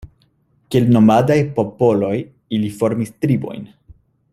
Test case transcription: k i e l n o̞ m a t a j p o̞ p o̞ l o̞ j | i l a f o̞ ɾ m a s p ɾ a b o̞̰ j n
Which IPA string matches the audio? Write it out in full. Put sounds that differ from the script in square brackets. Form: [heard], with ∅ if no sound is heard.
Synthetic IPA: k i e l n o̞ m a [d] a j p o̞ p o̞ l o̞ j | i l [i] f o̞ ɾ m [i] s [t] ɾ [i] b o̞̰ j n